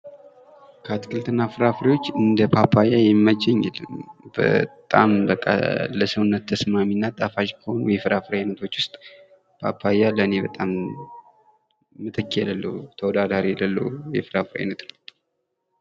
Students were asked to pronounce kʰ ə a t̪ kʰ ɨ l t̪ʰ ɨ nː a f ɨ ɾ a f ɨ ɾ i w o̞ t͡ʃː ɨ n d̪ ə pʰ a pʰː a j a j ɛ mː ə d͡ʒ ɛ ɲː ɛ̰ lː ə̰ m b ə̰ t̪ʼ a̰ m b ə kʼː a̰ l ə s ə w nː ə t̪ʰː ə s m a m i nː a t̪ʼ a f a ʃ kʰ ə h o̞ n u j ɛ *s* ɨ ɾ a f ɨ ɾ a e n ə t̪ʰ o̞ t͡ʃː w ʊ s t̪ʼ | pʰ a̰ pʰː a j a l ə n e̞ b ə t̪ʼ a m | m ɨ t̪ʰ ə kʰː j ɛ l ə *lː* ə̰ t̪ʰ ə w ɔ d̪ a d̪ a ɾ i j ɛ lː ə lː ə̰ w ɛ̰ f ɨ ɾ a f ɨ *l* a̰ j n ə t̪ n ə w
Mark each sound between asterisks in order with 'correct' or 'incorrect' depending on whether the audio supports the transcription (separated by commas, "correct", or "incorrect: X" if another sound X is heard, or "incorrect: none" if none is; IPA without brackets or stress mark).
incorrect: f, correct, incorrect: ɾ